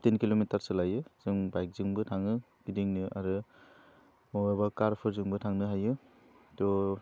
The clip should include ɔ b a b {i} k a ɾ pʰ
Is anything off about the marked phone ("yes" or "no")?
yes